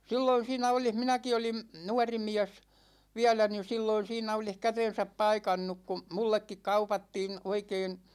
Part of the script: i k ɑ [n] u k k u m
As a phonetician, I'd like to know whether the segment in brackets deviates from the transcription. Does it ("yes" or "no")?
yes